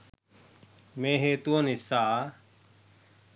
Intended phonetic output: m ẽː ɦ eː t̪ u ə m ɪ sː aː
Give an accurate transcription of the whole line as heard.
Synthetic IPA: m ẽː ɦ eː t̪ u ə n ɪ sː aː